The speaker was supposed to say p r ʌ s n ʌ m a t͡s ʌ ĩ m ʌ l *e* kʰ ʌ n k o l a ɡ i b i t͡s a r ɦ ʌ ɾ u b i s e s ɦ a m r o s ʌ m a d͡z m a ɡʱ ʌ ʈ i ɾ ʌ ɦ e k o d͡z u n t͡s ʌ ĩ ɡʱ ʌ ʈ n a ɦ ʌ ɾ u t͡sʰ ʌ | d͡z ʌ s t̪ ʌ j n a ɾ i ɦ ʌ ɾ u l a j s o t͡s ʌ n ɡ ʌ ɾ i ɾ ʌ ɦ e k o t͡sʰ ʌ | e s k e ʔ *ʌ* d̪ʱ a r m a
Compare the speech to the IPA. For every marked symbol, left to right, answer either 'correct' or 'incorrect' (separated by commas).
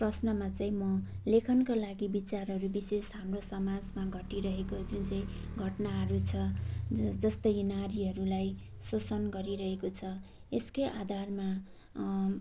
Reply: correct, incorrect